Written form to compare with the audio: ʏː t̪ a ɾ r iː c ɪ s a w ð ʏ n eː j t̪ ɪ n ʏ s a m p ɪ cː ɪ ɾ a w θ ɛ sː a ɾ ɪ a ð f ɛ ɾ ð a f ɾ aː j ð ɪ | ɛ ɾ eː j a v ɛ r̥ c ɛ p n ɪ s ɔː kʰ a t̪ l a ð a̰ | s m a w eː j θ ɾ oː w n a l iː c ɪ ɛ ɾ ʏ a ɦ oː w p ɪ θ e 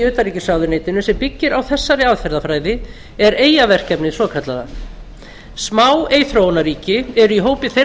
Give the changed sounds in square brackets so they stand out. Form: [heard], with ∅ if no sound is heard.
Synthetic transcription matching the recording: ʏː t̪ a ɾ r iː c ɪ s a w ð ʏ n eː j t̪ ɪ n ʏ s [ɛ] m p ɪ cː ɪ ɾ a w θ ɛ sː a ɾ ɪ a ð f ɛ ɾ ð a f ɾ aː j ð ɪ | ɛ ɾ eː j a v ɛ r̥ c ɛ p n ɪ s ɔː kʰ a t̪ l a ð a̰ | s m a w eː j θ ɾ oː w n a [ɾ] iː c ɪ ɛ ɾ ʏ [i] ɦ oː w p ɪ θ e